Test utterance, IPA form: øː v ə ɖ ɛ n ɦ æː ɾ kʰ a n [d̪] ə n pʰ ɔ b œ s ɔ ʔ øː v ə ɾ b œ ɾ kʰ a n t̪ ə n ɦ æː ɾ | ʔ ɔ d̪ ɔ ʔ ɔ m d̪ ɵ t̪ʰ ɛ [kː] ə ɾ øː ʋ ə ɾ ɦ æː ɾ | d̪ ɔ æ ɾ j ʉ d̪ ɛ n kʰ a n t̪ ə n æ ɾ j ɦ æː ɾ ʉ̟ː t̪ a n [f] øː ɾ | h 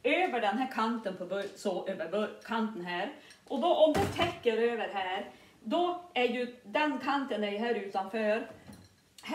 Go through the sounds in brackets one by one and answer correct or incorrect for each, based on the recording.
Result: incorrect, correct, correct

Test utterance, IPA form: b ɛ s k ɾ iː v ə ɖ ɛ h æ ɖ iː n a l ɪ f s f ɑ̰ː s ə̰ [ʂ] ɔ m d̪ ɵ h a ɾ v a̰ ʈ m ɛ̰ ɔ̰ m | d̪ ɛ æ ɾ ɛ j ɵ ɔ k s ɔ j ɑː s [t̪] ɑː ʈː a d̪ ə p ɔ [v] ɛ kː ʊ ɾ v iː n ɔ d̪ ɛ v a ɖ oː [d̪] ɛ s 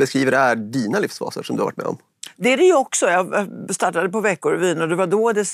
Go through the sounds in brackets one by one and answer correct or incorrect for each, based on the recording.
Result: correct, correct, correct, correct

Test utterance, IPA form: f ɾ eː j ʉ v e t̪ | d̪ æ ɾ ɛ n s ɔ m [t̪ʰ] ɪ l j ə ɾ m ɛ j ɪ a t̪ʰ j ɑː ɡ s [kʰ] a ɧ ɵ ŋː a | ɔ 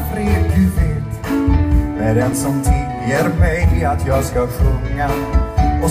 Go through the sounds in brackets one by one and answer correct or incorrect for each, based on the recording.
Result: correct, incorrect

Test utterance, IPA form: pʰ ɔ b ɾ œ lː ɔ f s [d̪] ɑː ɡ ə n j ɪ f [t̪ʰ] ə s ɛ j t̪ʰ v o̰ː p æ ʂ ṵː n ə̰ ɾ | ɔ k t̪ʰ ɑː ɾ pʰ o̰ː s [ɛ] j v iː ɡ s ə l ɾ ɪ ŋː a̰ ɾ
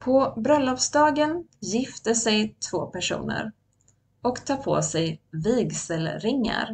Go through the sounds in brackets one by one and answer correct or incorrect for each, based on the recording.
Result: correct, incorrect, correct

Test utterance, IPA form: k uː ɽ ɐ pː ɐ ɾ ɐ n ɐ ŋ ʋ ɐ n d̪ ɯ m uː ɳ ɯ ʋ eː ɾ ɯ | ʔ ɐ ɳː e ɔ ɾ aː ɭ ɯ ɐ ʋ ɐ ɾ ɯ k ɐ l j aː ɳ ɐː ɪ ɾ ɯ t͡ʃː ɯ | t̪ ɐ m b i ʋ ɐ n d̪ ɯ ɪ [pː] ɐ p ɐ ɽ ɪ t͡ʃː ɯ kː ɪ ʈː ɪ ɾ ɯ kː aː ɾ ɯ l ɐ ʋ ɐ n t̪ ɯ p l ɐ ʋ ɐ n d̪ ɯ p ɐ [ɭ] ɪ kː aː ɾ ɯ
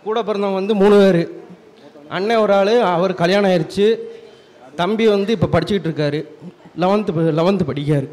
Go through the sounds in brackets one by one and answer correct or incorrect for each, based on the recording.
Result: correct, incorrect

